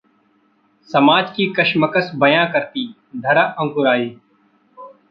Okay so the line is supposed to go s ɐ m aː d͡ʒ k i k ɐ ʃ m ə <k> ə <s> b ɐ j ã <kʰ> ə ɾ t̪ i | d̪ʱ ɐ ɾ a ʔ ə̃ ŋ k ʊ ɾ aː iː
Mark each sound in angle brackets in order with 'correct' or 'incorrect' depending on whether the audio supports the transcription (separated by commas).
correct, correct, incorrect